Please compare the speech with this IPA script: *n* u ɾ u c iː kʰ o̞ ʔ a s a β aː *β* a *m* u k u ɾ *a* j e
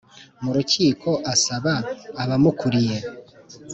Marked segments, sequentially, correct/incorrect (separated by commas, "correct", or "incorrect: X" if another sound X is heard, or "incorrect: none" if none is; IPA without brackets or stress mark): incorrect: m, correct, correct, incorrect: i